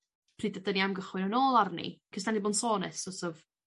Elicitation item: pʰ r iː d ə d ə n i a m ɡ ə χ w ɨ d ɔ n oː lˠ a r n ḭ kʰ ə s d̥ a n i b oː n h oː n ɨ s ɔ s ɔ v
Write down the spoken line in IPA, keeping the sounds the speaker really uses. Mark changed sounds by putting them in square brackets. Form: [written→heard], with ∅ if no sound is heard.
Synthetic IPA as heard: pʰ r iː d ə d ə n i a m ɡ ə χ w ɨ [d→n] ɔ n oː lˠ a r n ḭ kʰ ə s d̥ a n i b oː n [h→s] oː n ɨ s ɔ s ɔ v